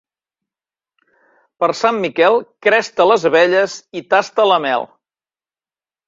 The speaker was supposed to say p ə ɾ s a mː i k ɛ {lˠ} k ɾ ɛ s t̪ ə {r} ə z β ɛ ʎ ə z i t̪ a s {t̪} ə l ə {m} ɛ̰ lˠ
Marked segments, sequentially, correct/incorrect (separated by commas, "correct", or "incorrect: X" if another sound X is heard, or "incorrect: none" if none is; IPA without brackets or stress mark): correct, incorrect: l, correct, correct